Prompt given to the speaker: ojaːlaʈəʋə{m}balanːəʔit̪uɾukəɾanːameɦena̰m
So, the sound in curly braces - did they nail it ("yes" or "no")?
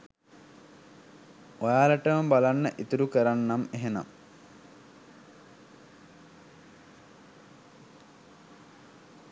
yes